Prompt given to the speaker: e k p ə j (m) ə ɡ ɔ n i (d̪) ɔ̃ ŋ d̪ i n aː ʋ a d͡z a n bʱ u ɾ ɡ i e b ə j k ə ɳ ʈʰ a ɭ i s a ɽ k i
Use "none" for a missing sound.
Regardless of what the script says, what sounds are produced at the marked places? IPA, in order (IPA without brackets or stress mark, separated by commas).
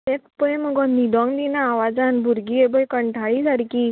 m, d̪